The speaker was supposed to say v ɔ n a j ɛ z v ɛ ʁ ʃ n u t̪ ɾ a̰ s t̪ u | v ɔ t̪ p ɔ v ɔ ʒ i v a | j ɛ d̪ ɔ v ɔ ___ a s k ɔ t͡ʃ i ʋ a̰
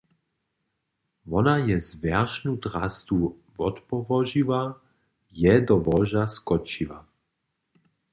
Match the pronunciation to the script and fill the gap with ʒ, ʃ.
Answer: ʒ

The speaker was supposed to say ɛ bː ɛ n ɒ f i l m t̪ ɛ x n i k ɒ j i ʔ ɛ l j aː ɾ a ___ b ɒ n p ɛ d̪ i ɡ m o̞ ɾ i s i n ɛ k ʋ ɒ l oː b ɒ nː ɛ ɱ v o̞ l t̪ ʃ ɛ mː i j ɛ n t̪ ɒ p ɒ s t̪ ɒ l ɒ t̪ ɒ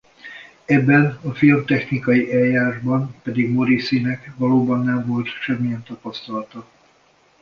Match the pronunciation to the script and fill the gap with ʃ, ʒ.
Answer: ʒ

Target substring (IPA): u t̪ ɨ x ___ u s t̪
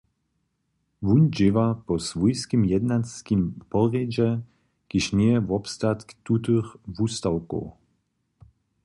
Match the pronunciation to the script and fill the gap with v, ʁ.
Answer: v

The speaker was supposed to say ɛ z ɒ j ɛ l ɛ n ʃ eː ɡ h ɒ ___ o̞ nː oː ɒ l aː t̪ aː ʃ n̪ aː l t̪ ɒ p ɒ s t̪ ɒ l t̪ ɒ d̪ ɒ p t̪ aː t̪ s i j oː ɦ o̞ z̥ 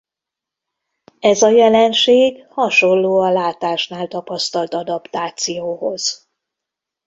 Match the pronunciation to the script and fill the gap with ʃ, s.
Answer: ʃ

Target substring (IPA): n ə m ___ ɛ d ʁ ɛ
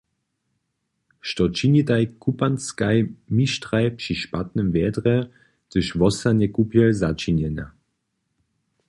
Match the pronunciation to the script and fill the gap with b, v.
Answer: v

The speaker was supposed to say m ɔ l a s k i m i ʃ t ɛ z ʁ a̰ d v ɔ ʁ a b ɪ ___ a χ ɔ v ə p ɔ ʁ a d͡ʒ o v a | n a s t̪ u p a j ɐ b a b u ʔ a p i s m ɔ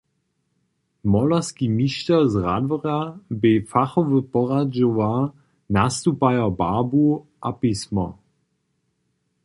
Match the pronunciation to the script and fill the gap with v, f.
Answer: f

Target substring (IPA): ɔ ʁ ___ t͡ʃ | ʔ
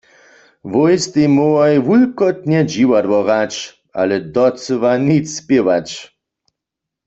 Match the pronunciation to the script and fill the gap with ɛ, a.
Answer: a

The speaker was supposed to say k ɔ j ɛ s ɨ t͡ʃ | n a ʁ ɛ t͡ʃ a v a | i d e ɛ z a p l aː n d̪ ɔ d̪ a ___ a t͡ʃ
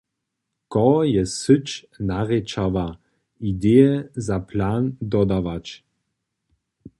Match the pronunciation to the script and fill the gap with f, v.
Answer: v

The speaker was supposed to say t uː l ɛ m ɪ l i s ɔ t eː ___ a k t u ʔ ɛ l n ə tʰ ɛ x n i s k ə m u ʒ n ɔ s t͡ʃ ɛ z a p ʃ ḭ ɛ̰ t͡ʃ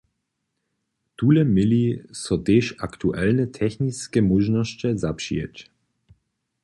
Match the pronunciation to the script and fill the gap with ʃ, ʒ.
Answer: ʃ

